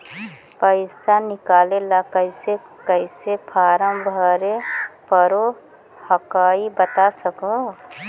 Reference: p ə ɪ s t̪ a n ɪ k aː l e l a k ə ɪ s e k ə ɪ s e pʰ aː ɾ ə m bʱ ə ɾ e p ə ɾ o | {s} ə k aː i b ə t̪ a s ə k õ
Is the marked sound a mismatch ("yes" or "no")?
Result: yes